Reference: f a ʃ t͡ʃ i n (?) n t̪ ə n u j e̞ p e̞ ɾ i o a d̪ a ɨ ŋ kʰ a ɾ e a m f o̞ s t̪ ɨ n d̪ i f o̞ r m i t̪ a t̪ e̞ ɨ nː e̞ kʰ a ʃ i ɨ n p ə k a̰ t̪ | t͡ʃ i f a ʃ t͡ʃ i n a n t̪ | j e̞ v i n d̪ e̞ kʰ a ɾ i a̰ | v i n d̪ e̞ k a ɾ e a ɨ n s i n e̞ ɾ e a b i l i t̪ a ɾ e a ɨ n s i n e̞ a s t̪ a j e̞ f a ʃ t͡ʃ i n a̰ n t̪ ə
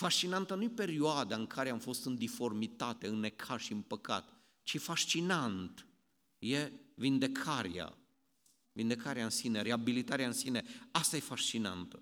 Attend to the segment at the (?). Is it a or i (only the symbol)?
a